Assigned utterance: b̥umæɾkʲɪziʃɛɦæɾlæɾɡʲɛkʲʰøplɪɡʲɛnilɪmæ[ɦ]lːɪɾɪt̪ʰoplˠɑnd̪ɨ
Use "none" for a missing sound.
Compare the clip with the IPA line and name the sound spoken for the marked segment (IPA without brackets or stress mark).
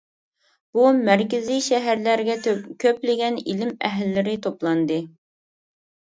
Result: ɦ